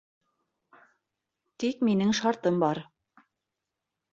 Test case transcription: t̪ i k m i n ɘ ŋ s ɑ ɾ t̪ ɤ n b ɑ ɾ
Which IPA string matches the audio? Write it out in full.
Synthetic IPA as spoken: t̪ i k m i n ɘ ŋ ʃ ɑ ɾ t̪ ɤ m b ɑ ɾ